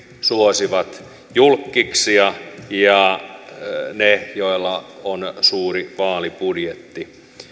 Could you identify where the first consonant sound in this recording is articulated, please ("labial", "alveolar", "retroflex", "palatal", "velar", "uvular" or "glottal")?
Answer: alveolar